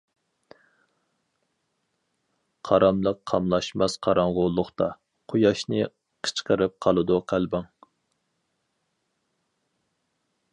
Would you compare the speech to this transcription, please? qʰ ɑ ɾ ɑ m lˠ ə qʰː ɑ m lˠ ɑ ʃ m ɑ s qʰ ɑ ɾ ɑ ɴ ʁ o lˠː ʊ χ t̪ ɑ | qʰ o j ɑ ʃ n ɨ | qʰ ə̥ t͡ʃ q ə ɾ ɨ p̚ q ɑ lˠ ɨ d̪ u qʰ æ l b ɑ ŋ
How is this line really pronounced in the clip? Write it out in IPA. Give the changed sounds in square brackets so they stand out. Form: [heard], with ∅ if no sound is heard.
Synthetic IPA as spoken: qʰ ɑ ɾ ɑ m lˠ ə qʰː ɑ m lˠ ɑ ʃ m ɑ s qʰ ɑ ɾ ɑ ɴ ʁ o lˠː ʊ χ t̪ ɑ | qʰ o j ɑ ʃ n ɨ | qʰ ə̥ t͡ʃ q ə ɾ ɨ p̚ [qʰ] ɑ lˠ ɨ d̪ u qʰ æ l b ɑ ŋ